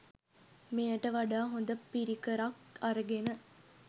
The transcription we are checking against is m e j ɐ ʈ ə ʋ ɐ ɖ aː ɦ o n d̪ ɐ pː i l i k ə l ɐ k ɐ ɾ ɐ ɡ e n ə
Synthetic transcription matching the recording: m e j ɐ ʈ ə ʋ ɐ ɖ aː ɦ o n d̪ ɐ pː i ɾ i k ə ɾ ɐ k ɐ ɾ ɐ ɡ e n ə